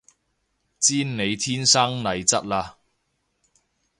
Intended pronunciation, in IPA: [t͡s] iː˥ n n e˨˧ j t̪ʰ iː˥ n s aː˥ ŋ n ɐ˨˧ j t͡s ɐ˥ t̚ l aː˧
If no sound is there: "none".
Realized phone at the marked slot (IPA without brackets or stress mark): t͡s